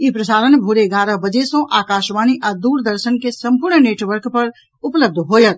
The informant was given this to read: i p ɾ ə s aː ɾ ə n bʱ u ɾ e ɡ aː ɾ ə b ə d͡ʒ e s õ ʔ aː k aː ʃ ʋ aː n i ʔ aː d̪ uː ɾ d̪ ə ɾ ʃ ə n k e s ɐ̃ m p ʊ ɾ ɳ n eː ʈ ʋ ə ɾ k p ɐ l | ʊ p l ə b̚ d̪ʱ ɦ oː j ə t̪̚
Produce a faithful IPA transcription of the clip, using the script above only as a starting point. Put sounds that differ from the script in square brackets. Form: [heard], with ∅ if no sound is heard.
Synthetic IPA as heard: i p ɾ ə s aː ɾ ə n bʱ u ɾ e ɡ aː ɾ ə b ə d͡ʒ e s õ ʔ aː k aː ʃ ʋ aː n i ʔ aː d̪ uː ɾ d̪ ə ɾ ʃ ə n k e s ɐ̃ m p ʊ ɾ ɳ n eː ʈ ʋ ə ɾ k p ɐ [ɾ] | ʊ p l ə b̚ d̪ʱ ɦ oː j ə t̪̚

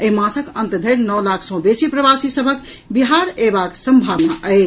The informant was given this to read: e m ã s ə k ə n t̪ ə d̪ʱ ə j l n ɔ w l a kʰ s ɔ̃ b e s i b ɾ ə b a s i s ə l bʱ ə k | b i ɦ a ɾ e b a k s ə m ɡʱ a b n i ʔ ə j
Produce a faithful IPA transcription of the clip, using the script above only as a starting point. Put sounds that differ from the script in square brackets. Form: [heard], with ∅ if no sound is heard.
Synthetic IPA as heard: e m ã s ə k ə n t̪ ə d̪ʱ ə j [ɾ] n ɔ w l a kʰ s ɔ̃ b e s i [p] ɾ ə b a s i s ə [∅] bʱ ə k | b i ɦ a ɾ e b a k s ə m [bʱ] a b n [a] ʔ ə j

